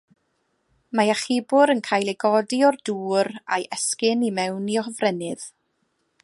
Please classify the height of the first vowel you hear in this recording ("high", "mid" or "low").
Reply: low